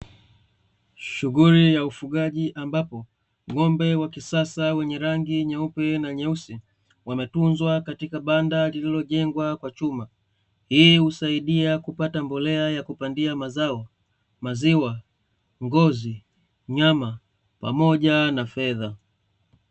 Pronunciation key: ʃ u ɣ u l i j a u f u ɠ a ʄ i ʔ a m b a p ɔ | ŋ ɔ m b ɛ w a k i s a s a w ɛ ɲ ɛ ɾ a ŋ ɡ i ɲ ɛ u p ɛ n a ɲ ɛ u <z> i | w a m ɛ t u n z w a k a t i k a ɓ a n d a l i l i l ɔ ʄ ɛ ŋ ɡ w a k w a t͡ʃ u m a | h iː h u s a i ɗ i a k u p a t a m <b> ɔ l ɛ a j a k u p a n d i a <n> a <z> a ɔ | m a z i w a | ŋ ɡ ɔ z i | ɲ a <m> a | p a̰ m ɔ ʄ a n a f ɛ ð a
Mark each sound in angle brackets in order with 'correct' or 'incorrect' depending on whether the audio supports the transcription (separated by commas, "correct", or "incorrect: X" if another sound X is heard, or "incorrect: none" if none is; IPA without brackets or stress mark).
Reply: incorrect: s, correct, incorrect: m, correct, correct